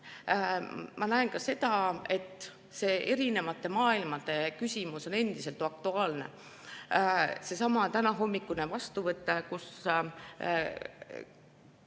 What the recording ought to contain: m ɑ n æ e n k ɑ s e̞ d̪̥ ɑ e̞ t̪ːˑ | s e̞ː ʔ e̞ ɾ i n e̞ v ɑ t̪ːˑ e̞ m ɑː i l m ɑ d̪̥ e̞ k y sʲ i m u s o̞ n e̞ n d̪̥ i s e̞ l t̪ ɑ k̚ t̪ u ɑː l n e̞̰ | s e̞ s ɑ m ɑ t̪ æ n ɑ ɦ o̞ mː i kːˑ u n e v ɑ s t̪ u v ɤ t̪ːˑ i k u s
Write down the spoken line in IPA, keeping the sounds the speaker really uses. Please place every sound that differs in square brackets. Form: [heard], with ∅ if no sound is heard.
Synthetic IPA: m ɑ n æ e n k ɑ s e̞ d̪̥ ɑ e̞ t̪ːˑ | s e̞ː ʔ e̞ ɾ i n e̞ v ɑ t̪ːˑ e̞ m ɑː i l m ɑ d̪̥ e̞ k y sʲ i m u s o̞ n e̞ n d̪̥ i s e̞ l t̪ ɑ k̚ t̪ u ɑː l n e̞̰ | s e̞ s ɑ m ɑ t̪ æ n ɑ ɦ o̞ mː i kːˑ u n e v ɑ s t̪ u v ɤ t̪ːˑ [e] k u s